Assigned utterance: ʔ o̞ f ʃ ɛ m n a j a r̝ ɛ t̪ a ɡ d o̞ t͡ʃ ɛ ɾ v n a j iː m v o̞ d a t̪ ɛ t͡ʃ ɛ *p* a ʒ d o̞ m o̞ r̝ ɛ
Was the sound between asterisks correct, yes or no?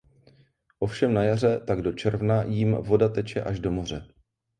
no